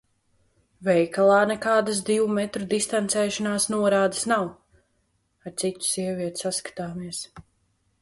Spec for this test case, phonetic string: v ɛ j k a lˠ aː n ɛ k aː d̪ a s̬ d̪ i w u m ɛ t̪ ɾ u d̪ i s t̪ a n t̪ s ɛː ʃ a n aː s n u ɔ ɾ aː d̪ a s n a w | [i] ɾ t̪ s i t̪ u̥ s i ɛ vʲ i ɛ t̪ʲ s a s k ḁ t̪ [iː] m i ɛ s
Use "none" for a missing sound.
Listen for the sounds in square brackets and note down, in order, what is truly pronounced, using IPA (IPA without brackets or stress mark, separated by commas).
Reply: a, aː